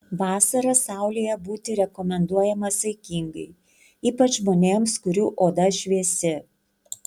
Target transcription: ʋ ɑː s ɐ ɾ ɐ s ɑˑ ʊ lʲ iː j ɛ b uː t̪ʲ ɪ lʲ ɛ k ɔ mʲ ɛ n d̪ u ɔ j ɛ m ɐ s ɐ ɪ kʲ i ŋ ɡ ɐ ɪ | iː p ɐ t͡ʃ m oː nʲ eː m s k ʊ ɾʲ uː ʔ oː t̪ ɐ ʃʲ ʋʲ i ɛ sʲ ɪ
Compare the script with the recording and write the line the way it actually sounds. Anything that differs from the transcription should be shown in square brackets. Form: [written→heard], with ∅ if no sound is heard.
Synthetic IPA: ʋ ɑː s ɐ ɾ ɐ s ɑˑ ʊ lʲ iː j ɛ b uː t̪ʲ ɪ [lʲ→ɾʲ] ɛ k ɔ mʲ ɛ n d̪ u ɔ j ɛ m ɐ s ɐ ɪ kʲ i ŋ ɡ ɐ ɪ | iː p ɐ t͡ʃ m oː nʲ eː m s k ʊ ɾʲ uː ʔ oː [t̪→d̪] ɐ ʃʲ ʋʲ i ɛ sʲ ɪ